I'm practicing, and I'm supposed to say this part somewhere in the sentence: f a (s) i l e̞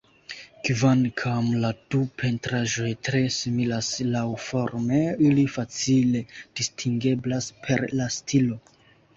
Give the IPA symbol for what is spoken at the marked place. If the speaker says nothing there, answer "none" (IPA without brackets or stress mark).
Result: t͡s